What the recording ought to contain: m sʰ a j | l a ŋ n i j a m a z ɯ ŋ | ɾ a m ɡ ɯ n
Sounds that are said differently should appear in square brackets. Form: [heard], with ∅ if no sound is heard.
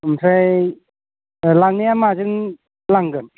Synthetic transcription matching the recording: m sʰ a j | l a ŋ n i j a m a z ɯ ŋ | [l] a [ŋ] ɡ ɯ n